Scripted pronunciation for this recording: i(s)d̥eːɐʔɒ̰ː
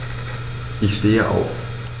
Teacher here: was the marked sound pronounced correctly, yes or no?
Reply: yes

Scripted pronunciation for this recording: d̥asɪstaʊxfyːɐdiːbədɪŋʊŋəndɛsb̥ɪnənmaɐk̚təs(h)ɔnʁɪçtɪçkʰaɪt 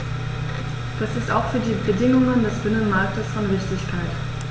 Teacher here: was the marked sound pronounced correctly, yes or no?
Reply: no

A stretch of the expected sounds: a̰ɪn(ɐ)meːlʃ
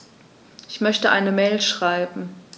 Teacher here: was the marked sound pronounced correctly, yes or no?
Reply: no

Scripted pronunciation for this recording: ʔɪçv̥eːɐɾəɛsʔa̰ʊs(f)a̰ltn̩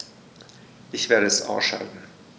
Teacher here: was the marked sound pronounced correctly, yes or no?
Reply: no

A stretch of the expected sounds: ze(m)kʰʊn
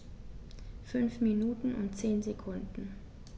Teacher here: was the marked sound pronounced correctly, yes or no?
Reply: no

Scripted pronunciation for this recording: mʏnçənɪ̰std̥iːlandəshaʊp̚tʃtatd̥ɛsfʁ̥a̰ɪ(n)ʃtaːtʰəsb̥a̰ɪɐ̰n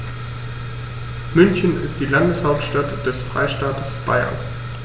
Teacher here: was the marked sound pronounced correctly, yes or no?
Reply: no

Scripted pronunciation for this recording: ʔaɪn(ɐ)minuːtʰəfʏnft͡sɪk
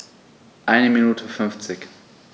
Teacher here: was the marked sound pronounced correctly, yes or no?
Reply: no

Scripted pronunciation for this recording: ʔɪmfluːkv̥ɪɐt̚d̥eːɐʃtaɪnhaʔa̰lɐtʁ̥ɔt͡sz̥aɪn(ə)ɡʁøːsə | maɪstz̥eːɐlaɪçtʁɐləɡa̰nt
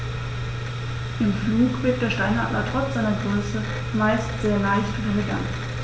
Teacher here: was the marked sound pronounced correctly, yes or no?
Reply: no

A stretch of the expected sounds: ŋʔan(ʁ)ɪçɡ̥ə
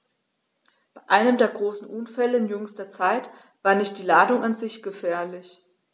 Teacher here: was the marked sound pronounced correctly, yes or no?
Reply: no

